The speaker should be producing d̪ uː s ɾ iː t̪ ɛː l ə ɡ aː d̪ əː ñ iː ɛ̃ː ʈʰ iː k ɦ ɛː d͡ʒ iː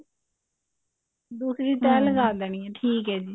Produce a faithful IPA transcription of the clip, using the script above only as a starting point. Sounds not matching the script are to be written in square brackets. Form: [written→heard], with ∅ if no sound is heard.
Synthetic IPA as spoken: d̪ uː s ɾ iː t̪ ɛː l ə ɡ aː d̪ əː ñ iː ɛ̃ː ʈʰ iː k ɦ ɛː d͡ʒ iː